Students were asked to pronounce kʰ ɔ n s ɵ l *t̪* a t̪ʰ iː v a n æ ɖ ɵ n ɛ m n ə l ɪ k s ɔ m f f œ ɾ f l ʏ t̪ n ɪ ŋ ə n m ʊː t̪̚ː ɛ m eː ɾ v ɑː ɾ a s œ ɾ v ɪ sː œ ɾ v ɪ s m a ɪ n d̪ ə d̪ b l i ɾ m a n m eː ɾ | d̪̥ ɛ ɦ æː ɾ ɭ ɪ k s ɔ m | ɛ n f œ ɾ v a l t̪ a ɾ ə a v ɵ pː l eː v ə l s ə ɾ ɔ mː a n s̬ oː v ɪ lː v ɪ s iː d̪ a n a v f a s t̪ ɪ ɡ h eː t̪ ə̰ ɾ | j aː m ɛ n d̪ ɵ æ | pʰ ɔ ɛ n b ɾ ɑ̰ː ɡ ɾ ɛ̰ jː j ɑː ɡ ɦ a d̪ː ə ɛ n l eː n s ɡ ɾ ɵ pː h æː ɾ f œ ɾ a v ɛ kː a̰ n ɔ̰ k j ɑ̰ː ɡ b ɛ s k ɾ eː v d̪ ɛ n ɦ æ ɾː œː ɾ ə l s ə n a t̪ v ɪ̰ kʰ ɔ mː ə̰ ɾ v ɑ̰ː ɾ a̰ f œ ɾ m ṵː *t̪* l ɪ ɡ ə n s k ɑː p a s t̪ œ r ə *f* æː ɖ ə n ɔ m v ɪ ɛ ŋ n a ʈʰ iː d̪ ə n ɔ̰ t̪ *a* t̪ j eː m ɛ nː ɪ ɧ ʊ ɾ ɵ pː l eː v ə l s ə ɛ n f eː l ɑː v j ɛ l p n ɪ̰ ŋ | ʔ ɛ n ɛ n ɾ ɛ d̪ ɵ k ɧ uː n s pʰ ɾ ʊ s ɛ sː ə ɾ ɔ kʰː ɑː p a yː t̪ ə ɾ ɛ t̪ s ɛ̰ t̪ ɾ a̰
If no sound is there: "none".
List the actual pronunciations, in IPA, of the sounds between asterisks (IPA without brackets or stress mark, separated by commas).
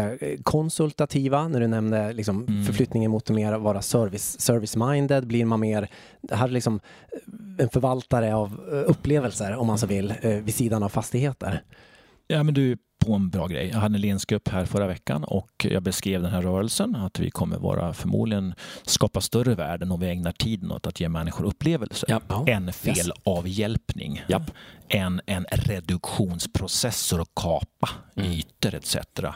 t̪, d̪, v, a